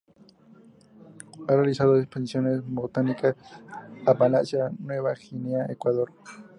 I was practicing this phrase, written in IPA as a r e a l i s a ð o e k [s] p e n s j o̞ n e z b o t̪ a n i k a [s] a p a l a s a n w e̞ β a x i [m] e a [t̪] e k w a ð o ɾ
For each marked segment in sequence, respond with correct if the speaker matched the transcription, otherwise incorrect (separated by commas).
correct, correct, incorrect, incorrect